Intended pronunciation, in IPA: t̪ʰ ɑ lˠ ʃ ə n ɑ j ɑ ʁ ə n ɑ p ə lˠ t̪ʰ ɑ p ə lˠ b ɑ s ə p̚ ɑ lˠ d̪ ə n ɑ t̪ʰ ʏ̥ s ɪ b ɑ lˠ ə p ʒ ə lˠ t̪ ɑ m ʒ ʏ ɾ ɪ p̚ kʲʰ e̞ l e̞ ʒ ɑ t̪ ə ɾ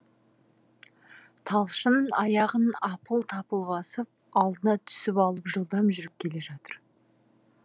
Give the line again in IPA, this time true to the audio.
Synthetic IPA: t̪ʰ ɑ lˠ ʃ ə n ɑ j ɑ ʁ ə n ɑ p ə lˠ t̪ʰ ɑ p ə lˠ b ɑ s ə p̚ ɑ lˠ d̪ ə n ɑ t̪ʰ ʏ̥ s ɪ p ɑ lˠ ə p ʒ ə lˠ d̪ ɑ m ʒ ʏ ɾ ɪ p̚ kʲʰ e̞ l e̞ ʒ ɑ t̪ ə ɾ

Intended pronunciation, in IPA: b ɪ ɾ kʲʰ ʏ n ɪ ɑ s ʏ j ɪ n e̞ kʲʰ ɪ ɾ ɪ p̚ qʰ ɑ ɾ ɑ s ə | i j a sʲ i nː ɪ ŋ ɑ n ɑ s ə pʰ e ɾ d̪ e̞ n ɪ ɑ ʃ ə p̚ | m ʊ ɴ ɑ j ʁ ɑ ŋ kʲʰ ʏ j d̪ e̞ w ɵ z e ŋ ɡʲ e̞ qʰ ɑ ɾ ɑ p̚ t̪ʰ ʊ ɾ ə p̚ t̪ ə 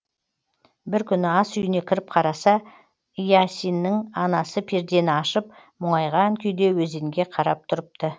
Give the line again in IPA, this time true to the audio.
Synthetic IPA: b ɪ ɾ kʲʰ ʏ n ɪ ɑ s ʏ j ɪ n e̞ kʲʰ ɪ ɾ ɪ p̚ qʰ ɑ ɾ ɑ s ɑ | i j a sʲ i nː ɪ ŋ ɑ n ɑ s ə pʰ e ɾ d̪ e̞ n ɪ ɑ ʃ ə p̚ | m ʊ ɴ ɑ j ʁ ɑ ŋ kʲʰ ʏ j d̪ e̞ w ɵ z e ŋ ɡʲ e̞ qʰ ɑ ɾ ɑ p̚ t̪ʰ ʊ ɾ ə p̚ t̪ ə

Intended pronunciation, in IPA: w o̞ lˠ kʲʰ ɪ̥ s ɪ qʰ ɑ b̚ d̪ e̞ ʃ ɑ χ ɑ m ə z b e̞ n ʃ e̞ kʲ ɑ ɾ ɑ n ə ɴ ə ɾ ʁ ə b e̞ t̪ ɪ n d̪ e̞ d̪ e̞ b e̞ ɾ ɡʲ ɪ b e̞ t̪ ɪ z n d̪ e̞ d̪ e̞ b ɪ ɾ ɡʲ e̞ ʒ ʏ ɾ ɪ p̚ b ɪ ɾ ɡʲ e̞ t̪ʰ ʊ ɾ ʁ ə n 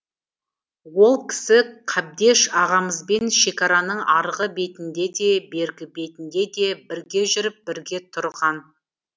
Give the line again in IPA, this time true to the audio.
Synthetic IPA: w o̞ lˠ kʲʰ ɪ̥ s ɪ qʰ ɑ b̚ d̪ e̞ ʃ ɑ ʁ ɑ m ə z b e̞ n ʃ e̞ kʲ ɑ ɾ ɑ n ə ɴ ɑ ɾ ʁ ə b e̞ t̪ ɪ n d̪ e̞ d̪ e̞ b e̞ ɾ ɡʲ ɪ b e̞ t̪ ɪ n d̪ e̞ d̪ e̞ b ɪ ɾ ɡʲ e̞ ʒ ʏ ɾ ɪ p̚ b ɪ ɾ ɡʲ e̞ t̪ʰ ʊ ɾ ʁ ɑ n

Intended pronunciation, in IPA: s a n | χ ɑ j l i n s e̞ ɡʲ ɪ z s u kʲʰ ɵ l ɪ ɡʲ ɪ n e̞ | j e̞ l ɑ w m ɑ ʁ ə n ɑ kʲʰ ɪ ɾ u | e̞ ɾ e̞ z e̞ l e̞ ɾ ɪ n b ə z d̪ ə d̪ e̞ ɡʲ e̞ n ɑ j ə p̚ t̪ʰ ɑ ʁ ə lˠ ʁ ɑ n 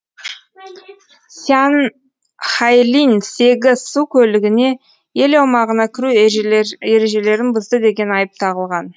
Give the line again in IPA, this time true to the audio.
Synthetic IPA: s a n | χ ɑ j l i n s e̞ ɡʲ ɪ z s u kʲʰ ɵ l ɪ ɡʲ ɪ n e̞ | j e̞ l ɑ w m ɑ ʁ ə n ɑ kʲʰ ɪ ɾ u | e̞ ɾ e̞ ʒ e̞ l e̞ ɾ ɪ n b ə z d̪ ə d̪ e̞ ɡʲ e̞ n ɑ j ə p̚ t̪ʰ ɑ ʁ ə lˠ ʁ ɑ n

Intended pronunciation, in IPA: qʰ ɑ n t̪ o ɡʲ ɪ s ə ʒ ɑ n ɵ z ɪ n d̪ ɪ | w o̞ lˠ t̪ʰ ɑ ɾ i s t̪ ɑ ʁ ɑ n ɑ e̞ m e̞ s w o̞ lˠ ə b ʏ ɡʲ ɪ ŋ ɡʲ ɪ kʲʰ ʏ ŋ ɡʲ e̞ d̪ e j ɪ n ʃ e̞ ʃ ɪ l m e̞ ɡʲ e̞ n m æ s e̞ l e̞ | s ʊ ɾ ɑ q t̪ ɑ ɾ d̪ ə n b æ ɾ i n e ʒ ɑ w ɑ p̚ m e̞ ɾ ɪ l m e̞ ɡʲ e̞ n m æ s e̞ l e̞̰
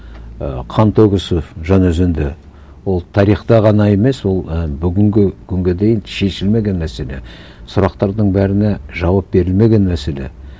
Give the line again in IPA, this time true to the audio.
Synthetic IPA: qʰ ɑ n t̪ o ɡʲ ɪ s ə ʒ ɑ n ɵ z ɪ n d̪ ɪ | w o̞ lˠ t̪ʰ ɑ ɾ i χ t̪ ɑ ʁ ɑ n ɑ e̞ m e̞ s w o̞ lˠ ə b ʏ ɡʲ ɪ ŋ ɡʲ ɪ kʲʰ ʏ ŋ ɡʲ e̞ d̪ e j ɪ n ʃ e̞ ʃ ɪ l m e̞ ɡʲ e̞ n m æ s e̞ l e̞ | s ʊ ɾ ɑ q t̪ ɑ ɾ d̪ ə ɴ b æ ɾ ɪ n e ʒ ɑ w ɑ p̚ b e̞ ɾ ɪ l m e̞ ɡʲ e̞ n m æ s e̞ l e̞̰

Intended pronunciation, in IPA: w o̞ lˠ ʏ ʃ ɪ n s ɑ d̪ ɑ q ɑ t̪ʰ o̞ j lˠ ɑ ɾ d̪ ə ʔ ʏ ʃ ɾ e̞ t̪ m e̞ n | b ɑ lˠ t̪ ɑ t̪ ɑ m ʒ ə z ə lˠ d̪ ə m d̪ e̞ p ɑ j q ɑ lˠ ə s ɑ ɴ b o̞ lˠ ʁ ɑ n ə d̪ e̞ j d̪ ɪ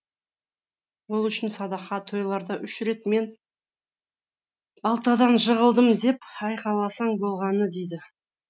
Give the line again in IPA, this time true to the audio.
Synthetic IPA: w o̞ lˠ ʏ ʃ ɪ n s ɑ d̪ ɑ q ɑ t̪ʰ o̞ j lˠ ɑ ɾ d̪ ɑ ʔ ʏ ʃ ɾ e̞ t̪ m e̞ n | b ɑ lˠ t̪ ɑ d̪ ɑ n ʒ ə ʁ ə lˠ d̪ ə m d̪ e̞ p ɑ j q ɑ lˠ ɑ s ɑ ɴ b o̞ lˠ ʁ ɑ n ə d̪ e̞ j d̪ ɪ

